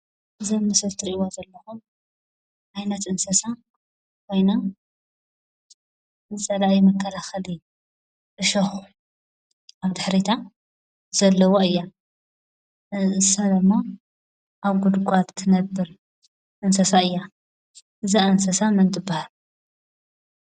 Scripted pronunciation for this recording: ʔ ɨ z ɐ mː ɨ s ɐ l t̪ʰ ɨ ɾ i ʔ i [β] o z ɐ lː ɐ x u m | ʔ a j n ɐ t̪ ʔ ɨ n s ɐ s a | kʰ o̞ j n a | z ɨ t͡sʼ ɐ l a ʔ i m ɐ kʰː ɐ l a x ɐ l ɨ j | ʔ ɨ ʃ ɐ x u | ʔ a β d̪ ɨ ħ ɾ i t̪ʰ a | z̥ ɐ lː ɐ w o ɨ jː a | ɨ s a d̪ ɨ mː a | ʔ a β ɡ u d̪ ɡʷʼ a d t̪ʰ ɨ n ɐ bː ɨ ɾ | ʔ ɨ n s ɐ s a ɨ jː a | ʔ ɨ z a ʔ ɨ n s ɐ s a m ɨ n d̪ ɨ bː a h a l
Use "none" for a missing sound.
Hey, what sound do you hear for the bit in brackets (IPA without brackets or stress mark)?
w